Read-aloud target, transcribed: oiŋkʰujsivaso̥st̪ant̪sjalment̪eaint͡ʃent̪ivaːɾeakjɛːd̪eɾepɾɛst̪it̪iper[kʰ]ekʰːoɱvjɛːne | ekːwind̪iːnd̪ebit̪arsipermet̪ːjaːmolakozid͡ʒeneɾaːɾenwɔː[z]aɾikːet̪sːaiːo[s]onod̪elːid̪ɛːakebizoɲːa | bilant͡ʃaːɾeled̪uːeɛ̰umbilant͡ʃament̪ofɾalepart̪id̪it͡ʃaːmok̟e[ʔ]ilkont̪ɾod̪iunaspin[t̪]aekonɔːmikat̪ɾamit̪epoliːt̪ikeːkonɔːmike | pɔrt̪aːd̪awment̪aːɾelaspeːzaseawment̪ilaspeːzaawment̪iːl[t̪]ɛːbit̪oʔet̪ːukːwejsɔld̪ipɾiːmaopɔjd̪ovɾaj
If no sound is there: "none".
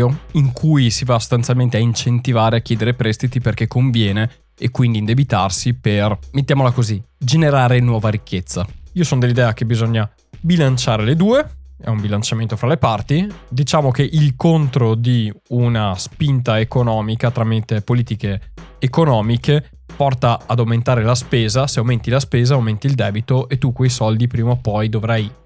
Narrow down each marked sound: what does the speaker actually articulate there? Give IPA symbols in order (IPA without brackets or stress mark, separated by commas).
k, v, s, ʔ, t̪, d̪